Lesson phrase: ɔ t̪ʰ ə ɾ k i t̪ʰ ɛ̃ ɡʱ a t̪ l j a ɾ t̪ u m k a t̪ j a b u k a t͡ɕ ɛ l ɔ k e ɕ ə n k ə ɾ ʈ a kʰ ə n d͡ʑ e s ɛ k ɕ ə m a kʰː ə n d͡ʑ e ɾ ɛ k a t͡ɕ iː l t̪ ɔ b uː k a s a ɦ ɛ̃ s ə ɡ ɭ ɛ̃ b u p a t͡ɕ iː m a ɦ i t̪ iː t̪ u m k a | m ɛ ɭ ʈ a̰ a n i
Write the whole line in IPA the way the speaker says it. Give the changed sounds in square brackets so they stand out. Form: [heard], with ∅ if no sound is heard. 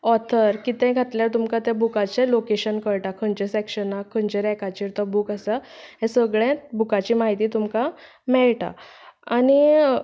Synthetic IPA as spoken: ɔ t̪ʰ ə ɾ k i [t̪] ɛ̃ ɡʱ a t̪ l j a ɾ t̪ u m k a t̪ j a b u k a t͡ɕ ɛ l [o] k e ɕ ə n k ə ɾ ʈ a kʰ ə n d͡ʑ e s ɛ k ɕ ə [n] a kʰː ə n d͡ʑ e ɾ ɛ k a t͡ɕ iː [ɾ] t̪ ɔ b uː k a s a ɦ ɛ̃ s ə ɡ ɭ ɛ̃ b u [k] a t͡ɕ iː m a ɦ i t̪ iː t̪ u m k a | m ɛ ɭ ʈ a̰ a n i